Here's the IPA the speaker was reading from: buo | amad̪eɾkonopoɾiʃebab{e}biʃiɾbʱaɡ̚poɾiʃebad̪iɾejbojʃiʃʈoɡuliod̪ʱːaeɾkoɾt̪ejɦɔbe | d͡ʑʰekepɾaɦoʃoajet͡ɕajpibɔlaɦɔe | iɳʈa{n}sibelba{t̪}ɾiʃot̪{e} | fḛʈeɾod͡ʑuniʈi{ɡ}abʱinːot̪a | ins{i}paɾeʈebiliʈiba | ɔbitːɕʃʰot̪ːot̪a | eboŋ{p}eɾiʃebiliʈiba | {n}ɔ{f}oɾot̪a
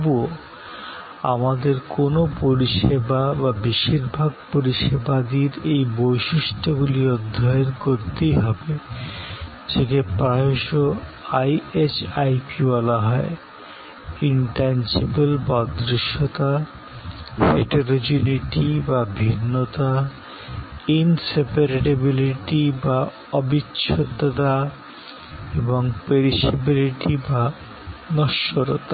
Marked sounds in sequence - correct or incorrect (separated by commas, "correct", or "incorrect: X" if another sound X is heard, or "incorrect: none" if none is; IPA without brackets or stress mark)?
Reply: incorrect: a, correct, incorrect: d̪, incorrect: a, incorrect: b, incorrect: e, correct, correct, incorrect: ʃ